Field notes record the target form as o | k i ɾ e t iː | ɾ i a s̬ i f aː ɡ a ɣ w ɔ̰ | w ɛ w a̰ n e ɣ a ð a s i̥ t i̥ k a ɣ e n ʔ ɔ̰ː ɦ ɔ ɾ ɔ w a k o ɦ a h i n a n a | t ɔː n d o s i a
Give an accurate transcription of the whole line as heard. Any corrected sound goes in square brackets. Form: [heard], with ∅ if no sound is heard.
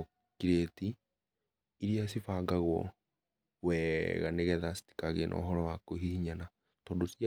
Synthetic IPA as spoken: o | k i ɾ e t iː | ɾ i a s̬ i f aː ɡ a ɣ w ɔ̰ | w ɛ [ɣ] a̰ n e ɣ [ɛ] ð a s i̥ t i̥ k a ɣ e n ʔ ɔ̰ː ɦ ɔ ɾ ɔ w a k o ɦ [i] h i [ɲ] a n a | t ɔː n d o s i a